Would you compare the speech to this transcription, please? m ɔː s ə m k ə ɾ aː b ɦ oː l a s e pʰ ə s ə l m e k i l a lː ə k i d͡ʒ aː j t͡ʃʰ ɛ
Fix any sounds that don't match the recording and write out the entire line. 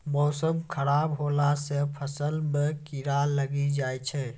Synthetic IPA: m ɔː s ə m kʰ ə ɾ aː b ɦ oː l a s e pʰ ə s ə l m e k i ɾ a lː ə ɡ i d͡ʒ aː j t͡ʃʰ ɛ

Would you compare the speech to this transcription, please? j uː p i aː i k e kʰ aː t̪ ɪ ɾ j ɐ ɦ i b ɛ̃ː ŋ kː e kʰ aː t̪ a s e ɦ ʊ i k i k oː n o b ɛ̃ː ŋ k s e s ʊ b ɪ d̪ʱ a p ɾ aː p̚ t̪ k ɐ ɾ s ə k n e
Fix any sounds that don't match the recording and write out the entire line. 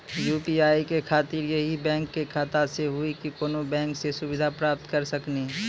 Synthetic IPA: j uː p i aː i k e kʰ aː t̪ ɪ ɾ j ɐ ɦ i b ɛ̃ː ŋ kː e kʰ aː t̪ a s e ɦ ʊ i k i k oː n o b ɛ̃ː ŋ k s e s ʊ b ɪ d̪ʱ a p ɾ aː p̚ t̪ k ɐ ɾ s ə k n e

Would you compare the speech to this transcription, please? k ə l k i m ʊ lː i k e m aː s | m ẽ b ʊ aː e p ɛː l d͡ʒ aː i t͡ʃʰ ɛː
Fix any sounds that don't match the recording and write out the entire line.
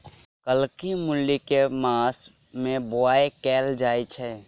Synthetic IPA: k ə l k i m ʊ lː i k e m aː s | m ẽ b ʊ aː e k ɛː l d͡ʒ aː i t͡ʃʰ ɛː

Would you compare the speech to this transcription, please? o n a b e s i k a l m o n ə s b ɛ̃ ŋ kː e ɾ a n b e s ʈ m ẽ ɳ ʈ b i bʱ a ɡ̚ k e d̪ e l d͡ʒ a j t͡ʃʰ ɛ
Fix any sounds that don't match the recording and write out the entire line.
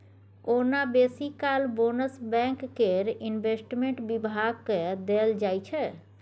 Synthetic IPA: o n a b e s i k a l b o n ə s b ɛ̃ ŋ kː e ɾ i n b e s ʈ m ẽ ɳ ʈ b i bʱ a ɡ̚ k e d̪ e l d͡ʒ a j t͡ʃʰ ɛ

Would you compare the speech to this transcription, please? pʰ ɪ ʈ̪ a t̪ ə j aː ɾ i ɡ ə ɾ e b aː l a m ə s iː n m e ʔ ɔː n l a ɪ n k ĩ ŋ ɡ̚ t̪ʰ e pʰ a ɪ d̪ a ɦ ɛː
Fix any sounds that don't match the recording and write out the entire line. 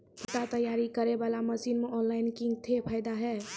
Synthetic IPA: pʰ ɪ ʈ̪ a t̪ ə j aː ɾ i k ə ɾ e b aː l a m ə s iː n m e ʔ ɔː n l a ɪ n k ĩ ŋ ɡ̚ t̪ʰ e pʰ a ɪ d̪ a ɦ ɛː

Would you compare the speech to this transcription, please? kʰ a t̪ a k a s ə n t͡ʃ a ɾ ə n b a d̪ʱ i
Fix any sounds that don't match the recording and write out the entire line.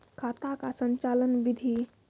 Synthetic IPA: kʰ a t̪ a k a s ə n t͡ʃ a l ə n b i d̪ʱ i

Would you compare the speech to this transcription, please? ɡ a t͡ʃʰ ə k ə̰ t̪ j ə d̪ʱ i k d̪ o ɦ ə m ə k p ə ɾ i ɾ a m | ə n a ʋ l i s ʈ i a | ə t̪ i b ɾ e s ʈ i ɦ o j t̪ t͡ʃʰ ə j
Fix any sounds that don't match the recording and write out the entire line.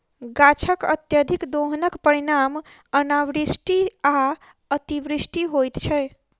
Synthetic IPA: ɡ a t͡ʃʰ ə k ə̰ t̪ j ə d̪ʱ i k d̪ o ɦ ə n ə k p ə ɾ i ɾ a m | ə n a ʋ ɾ i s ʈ i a | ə t̪ i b ɾ i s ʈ i ɦ o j t̪ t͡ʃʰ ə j

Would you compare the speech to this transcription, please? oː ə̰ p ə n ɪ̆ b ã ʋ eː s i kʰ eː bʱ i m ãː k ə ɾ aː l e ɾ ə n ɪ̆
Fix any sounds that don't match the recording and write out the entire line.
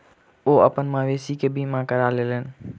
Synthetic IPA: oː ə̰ p ə n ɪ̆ m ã ʋ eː s i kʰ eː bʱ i m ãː k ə ɾ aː l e l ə n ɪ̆

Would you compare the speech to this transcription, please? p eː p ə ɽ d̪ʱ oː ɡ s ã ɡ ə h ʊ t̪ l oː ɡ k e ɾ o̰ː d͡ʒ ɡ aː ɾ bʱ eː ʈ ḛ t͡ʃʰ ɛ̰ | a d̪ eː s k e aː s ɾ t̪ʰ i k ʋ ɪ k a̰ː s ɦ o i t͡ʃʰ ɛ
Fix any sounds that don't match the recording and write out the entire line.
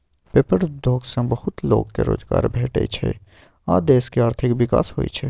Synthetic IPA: p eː p ə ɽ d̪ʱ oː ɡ s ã b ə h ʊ t̪ l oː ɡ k e ɾ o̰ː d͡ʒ ɡ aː ɾ bʱ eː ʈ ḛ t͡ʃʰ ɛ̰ | a d̪ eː s k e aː ɾ t̪ʰ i k ʋ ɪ k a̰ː s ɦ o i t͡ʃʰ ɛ

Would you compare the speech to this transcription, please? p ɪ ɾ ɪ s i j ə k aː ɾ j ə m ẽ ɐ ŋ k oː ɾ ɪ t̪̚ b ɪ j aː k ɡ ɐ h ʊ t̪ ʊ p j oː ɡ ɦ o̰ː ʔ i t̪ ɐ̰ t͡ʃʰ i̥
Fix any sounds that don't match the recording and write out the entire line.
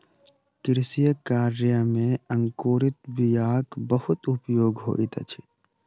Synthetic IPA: k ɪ ɾ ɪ s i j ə k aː ɾ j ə m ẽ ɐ ŋ k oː ɾ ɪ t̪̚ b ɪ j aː k b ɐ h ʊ t̪ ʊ p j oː ɡ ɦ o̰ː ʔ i t̪ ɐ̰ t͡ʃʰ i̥

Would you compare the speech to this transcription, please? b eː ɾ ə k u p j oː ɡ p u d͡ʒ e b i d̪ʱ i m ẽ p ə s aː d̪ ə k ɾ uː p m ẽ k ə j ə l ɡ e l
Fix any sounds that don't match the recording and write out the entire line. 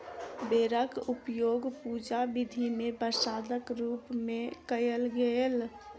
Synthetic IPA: b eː ɾ ə k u p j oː ɡ p u d͡ʒ a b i d̪ʱ i m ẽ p ə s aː d̪ ə k ɾ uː p m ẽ k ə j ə l ɡ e l

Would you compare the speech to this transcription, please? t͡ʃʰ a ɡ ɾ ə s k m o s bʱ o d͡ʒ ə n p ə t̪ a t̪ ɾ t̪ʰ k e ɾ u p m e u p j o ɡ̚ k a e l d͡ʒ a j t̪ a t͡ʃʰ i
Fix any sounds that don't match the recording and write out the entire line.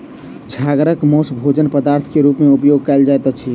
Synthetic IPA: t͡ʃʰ a ɡ ɾ ə k m o s bʱ o d͡ʒ ə n p ə d̪ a ɾ t̪ʰ k e ɾ u p m e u p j o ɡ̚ k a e l d͡ʒ a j t̪ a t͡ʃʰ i

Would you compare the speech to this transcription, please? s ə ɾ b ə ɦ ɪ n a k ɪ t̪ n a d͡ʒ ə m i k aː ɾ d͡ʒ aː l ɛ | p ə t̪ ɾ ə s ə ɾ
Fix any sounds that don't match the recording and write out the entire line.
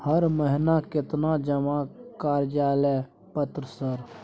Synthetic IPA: h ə ɾ m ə ɦ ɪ n a k ɪ t̪ n a d͡ʒ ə m a k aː ɾ d͡ʒ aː l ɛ | p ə t̪ ɾ ə s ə ɾ

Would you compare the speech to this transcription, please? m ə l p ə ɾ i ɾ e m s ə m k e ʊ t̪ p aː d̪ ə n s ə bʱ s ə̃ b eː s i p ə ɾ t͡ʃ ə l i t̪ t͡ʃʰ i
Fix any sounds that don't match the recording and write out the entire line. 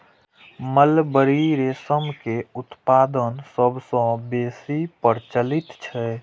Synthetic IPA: m ə l b ə ɾ i ɾ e s ə m k e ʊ t̪ p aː d̪ ə n s ə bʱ s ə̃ b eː s i p ə ɾ t͡ʃ ə l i t̪ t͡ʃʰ ɛ

